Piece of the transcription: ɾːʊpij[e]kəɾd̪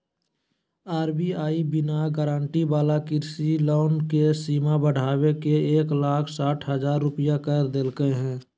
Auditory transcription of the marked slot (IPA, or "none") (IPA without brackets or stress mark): a